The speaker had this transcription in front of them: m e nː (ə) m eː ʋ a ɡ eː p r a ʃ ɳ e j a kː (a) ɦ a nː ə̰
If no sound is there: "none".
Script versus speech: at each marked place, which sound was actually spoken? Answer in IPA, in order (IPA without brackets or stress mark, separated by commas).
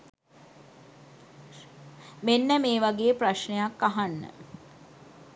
ə, a